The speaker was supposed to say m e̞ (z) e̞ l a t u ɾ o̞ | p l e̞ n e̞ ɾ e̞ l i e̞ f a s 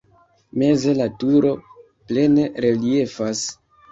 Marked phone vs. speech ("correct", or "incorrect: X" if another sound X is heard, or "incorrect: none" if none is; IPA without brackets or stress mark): correct